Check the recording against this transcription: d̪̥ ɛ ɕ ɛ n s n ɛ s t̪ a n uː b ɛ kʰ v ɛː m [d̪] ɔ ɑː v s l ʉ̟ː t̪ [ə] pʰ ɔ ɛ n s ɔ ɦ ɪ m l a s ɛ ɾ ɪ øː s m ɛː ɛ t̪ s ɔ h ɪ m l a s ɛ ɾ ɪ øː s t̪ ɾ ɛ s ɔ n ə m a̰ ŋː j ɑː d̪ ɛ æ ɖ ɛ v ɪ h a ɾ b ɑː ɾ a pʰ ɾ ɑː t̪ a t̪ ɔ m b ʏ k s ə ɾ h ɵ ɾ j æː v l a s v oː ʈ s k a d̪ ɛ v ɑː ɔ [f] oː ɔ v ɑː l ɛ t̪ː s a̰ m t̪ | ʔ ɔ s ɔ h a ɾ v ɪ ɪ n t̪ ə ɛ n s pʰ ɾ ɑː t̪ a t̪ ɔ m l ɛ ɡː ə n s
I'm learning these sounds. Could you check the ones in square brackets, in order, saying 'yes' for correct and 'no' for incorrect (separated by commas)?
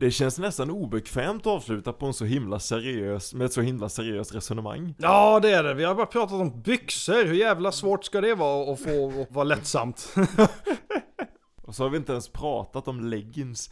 no, no, yes